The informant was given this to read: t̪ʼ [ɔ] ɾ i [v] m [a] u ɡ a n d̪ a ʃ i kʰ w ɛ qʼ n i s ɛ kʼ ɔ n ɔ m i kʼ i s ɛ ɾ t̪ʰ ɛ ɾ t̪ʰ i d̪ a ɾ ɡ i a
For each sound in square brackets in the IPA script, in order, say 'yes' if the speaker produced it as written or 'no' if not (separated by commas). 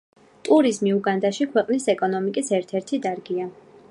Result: no, no, no